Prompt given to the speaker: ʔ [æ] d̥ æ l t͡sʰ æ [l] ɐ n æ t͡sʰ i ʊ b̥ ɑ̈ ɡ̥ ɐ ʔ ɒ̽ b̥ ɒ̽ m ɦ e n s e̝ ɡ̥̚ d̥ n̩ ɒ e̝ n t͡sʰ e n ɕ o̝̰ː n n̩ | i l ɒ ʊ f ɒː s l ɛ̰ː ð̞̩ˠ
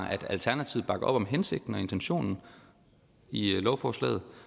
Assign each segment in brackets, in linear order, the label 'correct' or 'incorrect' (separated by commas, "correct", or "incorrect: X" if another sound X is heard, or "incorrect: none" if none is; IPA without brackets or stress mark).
correct, incorrect: none